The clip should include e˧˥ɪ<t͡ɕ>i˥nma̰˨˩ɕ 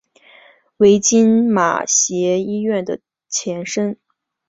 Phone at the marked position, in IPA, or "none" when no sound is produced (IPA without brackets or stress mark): t͡ɕ